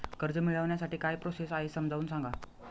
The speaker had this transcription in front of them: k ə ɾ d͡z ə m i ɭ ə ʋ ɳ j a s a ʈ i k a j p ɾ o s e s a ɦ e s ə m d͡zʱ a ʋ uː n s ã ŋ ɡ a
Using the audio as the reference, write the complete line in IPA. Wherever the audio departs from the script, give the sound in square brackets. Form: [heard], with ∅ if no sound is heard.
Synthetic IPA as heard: k ə ɾ d͡z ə m i ɭ ə ʋ ɳ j a s a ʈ [iː] k a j p ɾ o s e s a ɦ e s ə m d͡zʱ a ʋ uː n s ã ŋ ɡ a